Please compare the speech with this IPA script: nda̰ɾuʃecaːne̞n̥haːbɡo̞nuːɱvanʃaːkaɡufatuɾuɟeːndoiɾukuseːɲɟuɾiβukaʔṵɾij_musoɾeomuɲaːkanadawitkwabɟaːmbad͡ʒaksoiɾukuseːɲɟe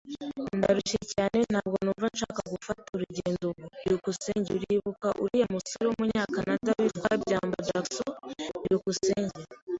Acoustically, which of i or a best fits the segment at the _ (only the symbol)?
a